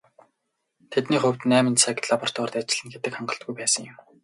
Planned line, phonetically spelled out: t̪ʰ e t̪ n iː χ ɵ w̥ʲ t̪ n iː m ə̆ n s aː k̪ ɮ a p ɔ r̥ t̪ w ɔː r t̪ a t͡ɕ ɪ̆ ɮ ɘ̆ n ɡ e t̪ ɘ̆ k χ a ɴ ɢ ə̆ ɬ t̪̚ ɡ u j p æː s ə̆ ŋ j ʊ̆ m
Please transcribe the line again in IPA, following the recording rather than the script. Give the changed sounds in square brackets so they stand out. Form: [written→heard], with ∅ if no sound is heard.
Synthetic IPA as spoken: t̪ʰ e t̪ n iː χ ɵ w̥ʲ t̪ n [iː→æː] m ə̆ n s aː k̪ ɮ a p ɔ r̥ t̪ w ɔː r t̪ a t͡ɕ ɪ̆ ɮ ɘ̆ n ɡ e t̪ ɘ̆ k χ a ɴ ɢ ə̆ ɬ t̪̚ ɡ u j p æː s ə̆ ŋ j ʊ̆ m